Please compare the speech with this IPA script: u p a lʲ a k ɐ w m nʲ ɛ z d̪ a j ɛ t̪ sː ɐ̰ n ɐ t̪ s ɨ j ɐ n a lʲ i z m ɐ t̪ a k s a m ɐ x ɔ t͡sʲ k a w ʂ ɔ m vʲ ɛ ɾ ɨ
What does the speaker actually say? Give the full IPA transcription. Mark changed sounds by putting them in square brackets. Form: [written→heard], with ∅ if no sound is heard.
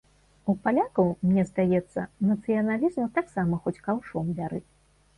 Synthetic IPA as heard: u p a lʲ a k ɐ w m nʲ ɛ z d̪ a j ɛ t̪ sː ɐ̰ n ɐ t̪ s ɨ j ɐ n a lʲ i z m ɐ t̪ a k s a m ɐ x ɔ t͡sʲ k a w ʂ ɔ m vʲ [ɛ→a] ɾ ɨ